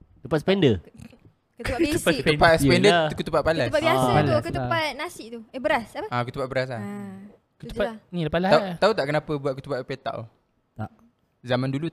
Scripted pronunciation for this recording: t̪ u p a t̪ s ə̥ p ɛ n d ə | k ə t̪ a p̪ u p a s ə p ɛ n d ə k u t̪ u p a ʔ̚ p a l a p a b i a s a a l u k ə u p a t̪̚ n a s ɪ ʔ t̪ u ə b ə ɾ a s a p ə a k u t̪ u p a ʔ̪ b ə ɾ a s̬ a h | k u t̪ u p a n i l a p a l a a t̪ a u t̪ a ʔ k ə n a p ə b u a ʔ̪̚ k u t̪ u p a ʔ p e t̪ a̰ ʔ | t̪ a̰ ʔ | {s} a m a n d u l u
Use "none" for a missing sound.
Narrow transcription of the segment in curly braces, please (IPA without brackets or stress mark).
z